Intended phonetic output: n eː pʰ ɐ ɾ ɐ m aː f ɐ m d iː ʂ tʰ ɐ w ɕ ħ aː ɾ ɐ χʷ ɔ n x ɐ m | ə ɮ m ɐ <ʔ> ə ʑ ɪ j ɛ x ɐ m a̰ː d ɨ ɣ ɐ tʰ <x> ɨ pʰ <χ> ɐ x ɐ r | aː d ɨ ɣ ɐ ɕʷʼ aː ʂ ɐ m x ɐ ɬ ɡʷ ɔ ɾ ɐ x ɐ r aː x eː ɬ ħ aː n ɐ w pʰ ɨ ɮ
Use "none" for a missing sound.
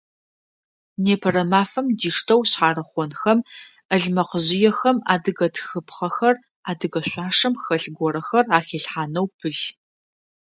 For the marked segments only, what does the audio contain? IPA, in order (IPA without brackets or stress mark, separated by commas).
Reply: q, x, χ